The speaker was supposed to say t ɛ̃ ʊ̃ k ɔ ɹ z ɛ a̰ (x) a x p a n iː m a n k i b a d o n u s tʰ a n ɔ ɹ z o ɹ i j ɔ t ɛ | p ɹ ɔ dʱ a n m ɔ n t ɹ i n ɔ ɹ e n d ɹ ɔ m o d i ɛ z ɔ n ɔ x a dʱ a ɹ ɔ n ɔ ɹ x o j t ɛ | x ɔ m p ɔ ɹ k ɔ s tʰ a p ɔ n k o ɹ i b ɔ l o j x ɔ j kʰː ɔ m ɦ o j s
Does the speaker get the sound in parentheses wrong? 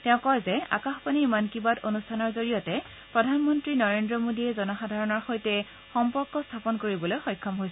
yes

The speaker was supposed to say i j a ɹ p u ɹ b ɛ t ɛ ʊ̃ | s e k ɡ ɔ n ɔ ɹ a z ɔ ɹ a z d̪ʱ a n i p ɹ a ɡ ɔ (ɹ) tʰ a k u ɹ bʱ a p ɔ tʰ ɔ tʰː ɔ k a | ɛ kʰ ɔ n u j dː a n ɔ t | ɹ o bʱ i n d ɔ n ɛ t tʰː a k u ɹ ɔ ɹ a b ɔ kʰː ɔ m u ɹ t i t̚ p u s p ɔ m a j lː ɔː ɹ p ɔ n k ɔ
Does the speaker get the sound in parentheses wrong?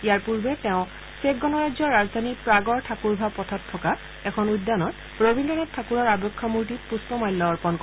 no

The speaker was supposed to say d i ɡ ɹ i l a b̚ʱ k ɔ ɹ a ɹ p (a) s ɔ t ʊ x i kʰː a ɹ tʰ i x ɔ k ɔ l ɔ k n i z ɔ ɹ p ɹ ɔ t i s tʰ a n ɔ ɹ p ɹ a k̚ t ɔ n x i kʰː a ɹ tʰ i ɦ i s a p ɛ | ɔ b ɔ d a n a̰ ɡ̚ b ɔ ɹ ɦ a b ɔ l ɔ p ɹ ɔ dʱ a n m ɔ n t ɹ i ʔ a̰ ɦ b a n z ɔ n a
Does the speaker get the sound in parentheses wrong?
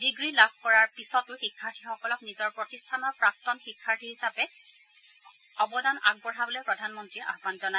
yes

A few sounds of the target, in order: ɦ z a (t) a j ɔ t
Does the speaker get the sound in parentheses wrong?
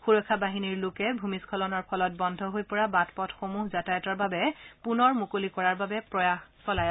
no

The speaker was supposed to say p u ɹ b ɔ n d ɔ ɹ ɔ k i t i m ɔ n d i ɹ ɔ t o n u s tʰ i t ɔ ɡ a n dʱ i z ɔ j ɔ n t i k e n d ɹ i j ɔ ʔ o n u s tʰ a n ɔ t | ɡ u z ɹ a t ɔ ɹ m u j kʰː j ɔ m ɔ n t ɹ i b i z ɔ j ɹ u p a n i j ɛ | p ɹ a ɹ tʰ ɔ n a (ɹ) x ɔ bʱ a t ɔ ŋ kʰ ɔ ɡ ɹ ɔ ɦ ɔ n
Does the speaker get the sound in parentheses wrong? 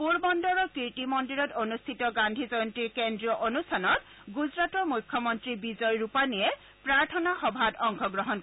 yes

